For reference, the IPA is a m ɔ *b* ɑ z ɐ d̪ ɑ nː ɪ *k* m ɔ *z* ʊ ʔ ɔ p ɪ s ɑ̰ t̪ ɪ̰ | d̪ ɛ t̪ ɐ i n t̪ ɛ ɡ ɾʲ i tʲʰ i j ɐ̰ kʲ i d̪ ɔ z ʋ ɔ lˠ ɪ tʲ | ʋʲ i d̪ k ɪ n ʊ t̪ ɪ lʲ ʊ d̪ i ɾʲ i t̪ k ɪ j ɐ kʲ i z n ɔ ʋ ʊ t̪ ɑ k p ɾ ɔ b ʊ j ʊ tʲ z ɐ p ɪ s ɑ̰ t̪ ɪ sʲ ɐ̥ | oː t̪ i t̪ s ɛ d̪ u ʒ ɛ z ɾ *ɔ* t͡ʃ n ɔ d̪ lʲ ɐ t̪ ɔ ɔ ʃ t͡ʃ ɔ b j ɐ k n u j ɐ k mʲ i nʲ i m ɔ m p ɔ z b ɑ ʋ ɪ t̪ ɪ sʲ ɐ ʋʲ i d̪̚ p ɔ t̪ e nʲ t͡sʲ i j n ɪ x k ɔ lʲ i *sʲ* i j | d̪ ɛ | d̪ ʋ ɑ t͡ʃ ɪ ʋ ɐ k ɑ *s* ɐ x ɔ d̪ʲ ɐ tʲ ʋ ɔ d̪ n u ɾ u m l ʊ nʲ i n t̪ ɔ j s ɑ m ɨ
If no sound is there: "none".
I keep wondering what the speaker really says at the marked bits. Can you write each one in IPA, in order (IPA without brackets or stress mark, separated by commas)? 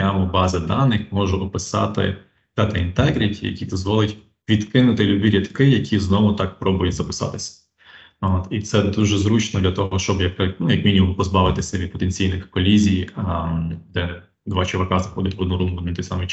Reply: b, x, ʒ, u, zʲ, z